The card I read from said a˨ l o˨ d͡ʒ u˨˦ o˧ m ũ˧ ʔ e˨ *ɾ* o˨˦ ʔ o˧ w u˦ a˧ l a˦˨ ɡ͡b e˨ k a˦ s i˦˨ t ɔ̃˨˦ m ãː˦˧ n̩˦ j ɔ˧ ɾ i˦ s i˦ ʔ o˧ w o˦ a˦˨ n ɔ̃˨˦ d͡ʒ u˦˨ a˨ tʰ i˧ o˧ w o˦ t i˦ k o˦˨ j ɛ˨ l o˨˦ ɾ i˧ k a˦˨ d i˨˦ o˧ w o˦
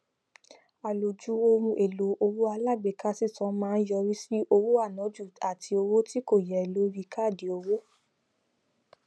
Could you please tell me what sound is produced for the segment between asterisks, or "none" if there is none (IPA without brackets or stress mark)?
l